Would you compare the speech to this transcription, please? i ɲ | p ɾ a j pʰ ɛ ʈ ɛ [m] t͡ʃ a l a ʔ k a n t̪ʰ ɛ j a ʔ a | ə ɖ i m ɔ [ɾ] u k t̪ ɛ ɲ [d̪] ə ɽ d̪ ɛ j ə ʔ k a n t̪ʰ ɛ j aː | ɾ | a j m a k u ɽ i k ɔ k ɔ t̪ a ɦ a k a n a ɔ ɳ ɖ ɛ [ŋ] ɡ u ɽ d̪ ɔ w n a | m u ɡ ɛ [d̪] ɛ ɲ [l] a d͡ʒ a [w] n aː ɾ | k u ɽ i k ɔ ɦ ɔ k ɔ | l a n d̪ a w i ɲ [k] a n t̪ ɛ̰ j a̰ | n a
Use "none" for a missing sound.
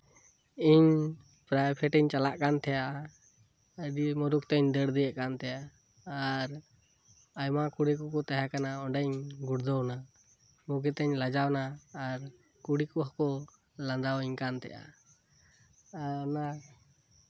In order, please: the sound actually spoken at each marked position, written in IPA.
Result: ɲ, ɾ, d̪, ɲ, t̪, l, w, k

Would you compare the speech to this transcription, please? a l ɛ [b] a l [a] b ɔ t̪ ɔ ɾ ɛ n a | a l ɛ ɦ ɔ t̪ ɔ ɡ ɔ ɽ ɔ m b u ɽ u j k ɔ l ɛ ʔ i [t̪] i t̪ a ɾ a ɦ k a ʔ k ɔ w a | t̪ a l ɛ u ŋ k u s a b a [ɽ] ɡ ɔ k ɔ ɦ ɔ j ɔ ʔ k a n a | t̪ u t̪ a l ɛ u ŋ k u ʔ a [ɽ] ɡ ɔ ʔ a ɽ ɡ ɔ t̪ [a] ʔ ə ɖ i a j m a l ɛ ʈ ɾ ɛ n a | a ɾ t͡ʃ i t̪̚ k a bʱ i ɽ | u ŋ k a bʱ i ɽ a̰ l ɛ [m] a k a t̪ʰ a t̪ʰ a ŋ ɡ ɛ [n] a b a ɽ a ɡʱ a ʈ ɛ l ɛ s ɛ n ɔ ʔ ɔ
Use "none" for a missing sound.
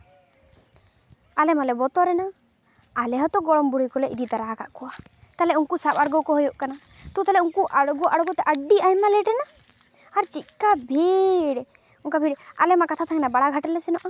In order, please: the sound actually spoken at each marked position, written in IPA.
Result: m, ɛ, d̪, ɽ, ɽ, ɛ, m, n

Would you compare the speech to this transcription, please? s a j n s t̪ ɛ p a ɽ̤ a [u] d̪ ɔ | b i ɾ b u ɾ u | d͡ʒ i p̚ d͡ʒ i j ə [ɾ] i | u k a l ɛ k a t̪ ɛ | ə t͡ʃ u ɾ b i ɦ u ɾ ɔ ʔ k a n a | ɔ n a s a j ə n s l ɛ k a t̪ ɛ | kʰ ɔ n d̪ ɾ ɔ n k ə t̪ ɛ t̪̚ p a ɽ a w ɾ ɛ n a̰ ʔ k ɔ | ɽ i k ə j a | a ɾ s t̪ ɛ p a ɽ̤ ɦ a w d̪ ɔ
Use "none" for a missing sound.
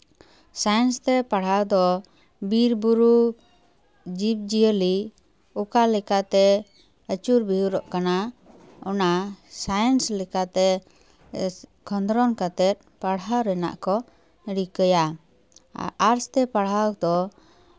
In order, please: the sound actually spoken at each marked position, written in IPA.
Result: w, l

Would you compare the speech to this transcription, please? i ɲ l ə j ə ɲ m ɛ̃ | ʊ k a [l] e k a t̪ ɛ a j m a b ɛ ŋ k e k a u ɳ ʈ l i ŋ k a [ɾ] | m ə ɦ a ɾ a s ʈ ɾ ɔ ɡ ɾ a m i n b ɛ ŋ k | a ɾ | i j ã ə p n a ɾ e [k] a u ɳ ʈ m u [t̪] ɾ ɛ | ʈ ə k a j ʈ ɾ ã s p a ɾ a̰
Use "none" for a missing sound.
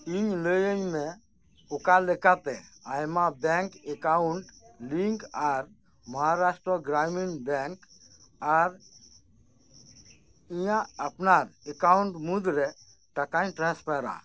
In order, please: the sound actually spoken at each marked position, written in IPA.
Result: l, ɾ, k, d̪

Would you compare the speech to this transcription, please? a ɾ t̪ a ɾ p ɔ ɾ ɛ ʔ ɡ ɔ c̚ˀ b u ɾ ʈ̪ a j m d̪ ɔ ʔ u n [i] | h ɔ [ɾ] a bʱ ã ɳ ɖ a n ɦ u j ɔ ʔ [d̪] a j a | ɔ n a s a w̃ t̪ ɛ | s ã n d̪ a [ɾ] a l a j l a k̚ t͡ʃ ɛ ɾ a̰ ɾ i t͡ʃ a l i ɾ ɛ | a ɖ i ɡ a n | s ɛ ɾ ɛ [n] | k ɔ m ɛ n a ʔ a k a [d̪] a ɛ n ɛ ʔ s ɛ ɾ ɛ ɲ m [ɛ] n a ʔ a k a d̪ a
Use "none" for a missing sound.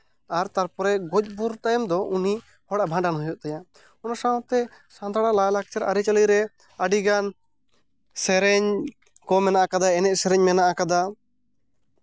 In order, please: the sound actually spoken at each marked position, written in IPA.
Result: i, ɽ, t̪, ɽ, ɲ, d̪, ɛ

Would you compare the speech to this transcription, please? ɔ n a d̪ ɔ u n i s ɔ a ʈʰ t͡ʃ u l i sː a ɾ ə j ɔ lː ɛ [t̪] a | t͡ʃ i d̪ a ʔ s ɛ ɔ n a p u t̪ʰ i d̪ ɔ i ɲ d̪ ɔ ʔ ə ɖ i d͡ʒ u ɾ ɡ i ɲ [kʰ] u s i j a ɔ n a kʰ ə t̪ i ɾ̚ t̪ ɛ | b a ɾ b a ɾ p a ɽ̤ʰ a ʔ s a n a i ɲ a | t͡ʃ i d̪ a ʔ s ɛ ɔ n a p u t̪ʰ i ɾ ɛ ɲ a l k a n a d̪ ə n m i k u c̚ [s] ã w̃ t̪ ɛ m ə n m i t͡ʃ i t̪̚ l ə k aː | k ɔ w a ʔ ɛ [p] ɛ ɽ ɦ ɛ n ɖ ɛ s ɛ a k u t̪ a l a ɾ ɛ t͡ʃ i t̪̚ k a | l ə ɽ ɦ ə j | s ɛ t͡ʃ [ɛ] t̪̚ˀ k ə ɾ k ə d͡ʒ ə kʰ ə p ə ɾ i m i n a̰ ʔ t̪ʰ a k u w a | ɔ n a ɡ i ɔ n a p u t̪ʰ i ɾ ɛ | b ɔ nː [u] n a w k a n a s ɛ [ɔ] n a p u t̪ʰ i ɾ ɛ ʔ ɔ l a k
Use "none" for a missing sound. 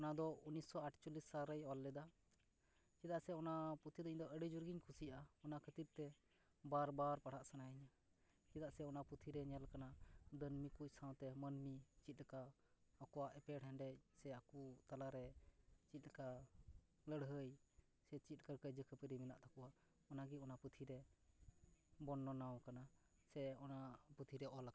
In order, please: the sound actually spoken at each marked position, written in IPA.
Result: d̪, kʰ, s, p, i, ɔ, ɔ

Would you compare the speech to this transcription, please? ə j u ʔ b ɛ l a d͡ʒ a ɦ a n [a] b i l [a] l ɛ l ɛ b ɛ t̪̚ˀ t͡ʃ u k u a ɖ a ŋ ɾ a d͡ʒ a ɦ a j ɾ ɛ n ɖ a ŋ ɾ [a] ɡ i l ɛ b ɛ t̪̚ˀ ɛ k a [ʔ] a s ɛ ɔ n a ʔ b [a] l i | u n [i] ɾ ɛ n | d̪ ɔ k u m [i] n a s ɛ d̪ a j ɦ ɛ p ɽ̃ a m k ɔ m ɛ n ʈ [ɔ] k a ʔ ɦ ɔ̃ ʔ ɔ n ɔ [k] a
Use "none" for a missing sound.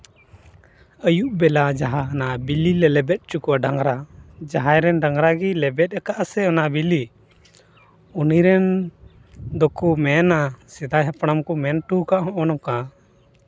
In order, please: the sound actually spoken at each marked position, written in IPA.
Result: a, i, a, ʔ, i, i, ɛ, u, k

